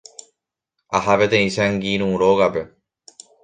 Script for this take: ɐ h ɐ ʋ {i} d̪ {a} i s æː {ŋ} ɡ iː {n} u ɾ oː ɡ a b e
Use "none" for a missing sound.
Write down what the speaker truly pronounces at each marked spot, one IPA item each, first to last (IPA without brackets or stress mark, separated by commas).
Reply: e, e, ŋ, n